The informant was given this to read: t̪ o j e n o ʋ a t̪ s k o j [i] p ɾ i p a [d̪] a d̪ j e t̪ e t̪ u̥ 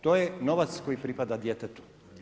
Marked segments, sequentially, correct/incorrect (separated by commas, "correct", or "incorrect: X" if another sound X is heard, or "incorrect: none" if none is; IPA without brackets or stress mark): correct, correct